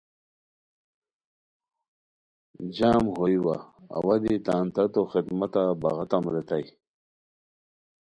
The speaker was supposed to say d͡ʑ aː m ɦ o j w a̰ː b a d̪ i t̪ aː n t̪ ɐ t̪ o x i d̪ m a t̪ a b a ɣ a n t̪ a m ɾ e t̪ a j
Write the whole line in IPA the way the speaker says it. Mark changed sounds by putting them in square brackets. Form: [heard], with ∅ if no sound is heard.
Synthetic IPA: d͡ʑ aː m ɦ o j w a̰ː [w] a d̪ i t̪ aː n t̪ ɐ t̪ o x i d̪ m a t̪ a b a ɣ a [∅] t̪ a m ɾ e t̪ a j